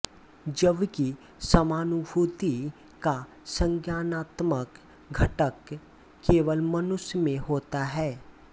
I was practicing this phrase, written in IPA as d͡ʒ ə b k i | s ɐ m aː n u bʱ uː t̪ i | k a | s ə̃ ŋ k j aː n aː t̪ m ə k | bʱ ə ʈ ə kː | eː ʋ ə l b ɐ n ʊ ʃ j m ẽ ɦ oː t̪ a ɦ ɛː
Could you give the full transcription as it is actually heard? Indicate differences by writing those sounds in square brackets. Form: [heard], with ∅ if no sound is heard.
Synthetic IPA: d͡ʒ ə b k i | s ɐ m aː n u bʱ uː t̪ i | k a | s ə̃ ŋ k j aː n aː t̪ m ə k | [ɡʱ] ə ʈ ə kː | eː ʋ ə l [m] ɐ n ʊ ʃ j m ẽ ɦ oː t̪ a ɦ ɛː